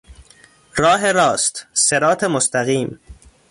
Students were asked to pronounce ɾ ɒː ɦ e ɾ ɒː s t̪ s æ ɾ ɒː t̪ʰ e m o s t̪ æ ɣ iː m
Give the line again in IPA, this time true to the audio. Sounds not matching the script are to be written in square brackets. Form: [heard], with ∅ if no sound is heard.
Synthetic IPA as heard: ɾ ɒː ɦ e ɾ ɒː s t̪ s [e] ɾ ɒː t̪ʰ e m o s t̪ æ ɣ iː m

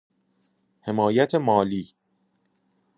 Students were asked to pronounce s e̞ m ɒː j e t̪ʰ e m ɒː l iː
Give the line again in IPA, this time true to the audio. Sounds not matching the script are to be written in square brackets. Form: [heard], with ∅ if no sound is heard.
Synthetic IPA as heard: [h] e̞ m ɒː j [æ] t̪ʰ e m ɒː l iː

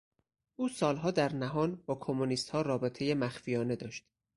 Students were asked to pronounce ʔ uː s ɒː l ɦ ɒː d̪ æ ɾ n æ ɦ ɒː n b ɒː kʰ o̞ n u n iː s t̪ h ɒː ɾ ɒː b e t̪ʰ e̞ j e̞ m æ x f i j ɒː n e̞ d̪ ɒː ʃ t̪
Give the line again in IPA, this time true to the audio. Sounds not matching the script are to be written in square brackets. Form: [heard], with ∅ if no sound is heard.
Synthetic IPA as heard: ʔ uː s ɒː l ɦ ɒː d̪ æ ɾ n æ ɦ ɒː n b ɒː kʰ o̞ [m] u n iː s t̪ h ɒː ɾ ɒː b e t̪ʰ e̞ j e̞ m æ x f i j ɒː n e̞ d̪ ɒː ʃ t̪

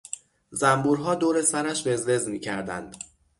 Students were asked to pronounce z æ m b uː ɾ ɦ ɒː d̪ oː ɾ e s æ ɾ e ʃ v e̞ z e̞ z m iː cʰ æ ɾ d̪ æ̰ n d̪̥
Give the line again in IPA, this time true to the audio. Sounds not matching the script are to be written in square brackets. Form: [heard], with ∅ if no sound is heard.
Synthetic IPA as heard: z æ m b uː ɾ ɦ ɒː d̪ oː ɾ e s æ ɾ [æ] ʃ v e̞ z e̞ z m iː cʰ æ ɾ d̪ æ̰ n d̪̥

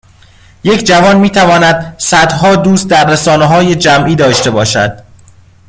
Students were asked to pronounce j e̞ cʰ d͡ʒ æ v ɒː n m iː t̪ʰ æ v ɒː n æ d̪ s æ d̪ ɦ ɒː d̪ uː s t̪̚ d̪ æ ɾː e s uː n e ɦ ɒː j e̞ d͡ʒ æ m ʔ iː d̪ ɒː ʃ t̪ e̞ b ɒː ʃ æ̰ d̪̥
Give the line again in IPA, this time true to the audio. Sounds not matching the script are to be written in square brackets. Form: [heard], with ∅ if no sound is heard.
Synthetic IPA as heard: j e̞ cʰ d͡ʒ æ v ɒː n m iː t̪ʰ æ v ɒː n æ d̪ s æ d̪ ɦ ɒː d̪ uː s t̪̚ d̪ æ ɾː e s [ɒː] n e ɦ ɒː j e̞ d͡ʒ æ m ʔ iː d̪ ɒː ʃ t̪ e̞ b ɒː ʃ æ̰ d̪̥

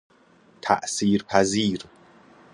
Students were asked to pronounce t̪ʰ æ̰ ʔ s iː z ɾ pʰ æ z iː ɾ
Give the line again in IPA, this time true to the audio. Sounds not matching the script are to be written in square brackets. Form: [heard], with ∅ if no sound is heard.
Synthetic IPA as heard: t̪ʰ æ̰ ʔ s iː [∅] ɾ pʰ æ z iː ɾ

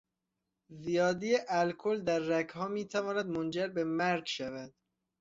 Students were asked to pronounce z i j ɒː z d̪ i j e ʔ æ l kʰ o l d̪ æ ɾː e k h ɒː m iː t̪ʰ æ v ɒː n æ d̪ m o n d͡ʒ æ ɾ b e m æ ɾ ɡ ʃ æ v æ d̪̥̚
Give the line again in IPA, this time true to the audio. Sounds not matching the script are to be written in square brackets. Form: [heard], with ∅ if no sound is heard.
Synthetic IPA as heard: z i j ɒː [∅] d̪ i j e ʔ æ l kʰ o l d̪ æ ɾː [æ] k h ɒː m iː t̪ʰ æ v ɒː n æ d̪ m o n d͡ʒ æ ɾ b e m æ ɾ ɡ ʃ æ v æ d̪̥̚

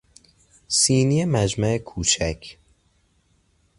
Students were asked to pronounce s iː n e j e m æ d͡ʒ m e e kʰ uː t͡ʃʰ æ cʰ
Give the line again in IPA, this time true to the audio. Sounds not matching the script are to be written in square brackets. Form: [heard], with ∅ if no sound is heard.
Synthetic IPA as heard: s iː n [i] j e m æ d͡ʒ m [æ] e kʰ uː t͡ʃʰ æ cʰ

